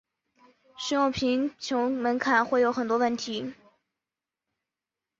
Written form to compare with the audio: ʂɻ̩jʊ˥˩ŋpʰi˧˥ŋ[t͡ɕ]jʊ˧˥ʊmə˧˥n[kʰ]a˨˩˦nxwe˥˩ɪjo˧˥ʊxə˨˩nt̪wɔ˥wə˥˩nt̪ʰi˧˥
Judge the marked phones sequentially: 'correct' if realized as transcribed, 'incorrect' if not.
incorrect, correct

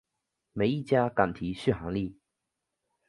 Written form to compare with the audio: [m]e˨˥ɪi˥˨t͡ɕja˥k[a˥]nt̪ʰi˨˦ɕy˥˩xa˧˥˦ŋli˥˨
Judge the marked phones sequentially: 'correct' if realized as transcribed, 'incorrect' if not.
correct, incorrect

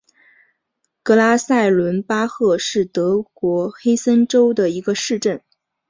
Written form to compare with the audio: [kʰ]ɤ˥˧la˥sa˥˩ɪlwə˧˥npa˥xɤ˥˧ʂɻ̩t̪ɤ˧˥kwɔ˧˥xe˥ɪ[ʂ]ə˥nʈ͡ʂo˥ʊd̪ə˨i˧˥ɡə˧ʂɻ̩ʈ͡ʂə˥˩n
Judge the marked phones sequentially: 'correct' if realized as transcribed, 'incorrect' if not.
incorrect, incorrect

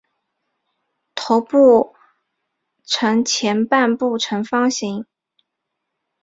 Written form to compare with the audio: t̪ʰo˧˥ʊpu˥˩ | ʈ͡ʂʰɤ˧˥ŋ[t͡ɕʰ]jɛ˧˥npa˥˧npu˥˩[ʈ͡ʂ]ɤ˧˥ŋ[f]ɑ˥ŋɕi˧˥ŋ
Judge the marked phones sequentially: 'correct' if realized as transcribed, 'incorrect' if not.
correct, incorrect, correct

